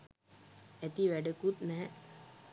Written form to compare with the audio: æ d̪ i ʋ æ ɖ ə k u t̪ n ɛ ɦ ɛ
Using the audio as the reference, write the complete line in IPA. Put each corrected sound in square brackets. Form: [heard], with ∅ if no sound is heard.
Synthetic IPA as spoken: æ [t̪] i ʋ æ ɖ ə k u t̪ n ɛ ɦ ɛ